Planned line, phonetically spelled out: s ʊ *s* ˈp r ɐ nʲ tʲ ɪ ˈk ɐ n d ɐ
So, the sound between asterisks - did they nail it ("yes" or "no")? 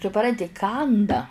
no